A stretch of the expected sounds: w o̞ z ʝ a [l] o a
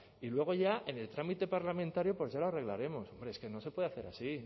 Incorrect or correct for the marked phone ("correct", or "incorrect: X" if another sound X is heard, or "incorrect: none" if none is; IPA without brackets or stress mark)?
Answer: correct